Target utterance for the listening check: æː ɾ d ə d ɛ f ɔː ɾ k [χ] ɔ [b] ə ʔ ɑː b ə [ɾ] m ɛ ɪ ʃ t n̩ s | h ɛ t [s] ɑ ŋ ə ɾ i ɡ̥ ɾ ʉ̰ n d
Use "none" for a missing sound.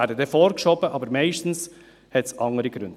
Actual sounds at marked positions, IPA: ʃ, b, ɾ, s

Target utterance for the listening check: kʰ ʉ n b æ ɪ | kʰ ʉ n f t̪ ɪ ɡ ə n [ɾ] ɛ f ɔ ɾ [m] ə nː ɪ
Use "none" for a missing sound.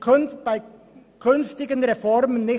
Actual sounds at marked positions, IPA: ɾ, m

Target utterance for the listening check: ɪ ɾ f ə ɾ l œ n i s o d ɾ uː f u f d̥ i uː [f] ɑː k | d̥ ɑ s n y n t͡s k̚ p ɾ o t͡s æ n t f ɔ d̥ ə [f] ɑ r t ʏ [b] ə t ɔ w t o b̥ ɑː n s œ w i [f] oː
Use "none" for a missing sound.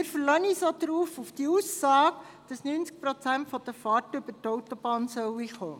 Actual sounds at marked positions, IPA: s, f, b, χ

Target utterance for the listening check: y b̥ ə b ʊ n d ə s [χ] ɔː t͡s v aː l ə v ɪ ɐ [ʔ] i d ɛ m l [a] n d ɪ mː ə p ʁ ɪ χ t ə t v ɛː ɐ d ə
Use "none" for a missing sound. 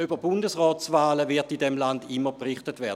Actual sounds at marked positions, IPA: ʁ, t, a

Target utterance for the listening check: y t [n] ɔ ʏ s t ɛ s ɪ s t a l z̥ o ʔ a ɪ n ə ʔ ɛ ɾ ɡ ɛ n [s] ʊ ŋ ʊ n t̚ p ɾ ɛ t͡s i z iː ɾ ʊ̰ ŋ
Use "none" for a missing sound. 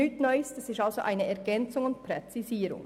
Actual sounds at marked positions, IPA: n, t͡s

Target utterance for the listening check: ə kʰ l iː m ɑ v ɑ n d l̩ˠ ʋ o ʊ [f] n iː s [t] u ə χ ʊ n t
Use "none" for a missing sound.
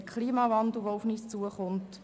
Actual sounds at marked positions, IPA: f, t͡s

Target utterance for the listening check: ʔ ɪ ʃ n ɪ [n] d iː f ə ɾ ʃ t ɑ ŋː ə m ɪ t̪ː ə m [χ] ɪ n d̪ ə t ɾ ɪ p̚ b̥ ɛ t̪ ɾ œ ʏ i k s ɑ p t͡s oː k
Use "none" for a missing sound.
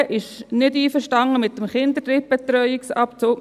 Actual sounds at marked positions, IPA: none, χ

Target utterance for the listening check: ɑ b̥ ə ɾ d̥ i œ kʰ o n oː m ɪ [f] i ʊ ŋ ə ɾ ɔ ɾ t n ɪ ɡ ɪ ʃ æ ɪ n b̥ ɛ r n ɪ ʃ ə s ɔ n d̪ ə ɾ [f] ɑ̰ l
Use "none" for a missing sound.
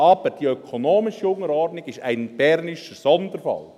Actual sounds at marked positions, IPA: ʃ, f

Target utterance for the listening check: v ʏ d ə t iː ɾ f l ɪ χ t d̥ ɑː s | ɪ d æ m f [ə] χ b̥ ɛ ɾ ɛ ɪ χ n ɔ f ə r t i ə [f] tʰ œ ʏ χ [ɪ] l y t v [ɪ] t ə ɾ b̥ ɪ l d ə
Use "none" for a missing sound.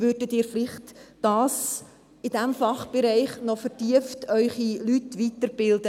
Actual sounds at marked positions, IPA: ɑ, f, i, i

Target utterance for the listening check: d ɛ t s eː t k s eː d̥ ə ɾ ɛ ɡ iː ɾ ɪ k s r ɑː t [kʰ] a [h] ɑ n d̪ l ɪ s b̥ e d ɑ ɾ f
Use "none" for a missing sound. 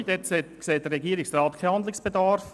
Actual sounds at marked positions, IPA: kʰ, h

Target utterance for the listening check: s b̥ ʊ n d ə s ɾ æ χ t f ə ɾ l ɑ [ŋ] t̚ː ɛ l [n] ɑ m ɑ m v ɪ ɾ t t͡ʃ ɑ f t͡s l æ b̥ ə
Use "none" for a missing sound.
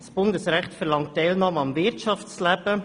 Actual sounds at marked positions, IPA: ŋ, n

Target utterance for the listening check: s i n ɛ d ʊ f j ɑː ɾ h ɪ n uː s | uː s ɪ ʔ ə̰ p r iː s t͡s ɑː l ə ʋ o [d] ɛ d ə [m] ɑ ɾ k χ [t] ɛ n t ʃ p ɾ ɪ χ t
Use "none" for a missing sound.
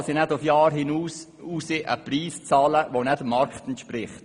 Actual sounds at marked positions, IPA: n, m, t

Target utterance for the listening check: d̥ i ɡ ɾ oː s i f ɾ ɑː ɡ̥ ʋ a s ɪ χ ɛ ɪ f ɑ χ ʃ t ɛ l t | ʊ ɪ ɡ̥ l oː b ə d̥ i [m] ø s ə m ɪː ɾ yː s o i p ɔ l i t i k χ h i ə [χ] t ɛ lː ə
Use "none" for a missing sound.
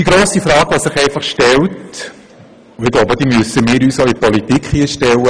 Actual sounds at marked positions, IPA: m, ʃ

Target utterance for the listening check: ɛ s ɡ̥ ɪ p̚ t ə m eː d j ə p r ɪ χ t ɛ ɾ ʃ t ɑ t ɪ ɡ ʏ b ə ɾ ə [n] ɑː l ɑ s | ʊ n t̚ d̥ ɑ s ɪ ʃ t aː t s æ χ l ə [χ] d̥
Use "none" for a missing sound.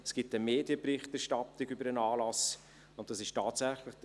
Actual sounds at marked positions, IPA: n, χ

